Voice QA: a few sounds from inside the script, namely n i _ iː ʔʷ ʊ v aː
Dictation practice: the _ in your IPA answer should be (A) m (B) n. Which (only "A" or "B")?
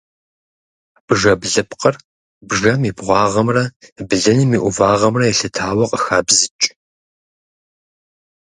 A